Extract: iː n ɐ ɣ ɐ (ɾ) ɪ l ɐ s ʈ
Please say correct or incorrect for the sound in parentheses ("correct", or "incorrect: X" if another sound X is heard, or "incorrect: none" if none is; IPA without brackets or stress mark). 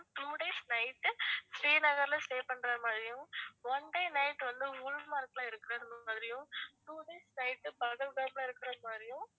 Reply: correct